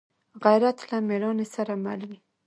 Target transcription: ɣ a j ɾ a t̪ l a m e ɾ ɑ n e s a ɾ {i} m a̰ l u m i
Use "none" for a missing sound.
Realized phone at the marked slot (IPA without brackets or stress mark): a